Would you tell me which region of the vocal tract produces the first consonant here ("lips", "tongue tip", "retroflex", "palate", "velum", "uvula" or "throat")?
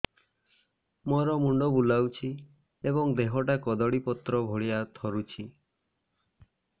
lips